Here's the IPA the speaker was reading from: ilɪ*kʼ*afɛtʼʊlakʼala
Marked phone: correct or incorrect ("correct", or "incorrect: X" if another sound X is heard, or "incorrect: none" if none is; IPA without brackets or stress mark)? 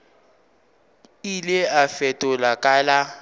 incorrect: none